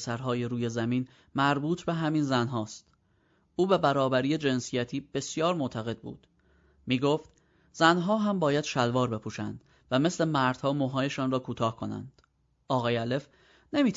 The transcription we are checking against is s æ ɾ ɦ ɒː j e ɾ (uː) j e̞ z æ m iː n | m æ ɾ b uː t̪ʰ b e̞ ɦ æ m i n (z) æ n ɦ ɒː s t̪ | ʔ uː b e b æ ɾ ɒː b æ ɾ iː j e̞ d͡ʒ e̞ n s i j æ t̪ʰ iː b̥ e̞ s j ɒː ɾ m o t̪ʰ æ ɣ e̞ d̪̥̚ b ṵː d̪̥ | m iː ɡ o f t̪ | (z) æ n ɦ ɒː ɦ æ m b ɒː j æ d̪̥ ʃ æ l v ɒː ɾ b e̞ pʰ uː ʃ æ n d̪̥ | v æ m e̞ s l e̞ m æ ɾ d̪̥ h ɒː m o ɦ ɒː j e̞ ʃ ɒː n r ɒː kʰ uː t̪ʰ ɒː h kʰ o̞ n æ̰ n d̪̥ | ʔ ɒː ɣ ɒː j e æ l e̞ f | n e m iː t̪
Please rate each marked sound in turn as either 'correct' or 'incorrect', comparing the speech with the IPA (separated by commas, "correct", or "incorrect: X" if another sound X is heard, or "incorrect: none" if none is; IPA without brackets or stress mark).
correct, correct, correct